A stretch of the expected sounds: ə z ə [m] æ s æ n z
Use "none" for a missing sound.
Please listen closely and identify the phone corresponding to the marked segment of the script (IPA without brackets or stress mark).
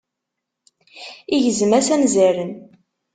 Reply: m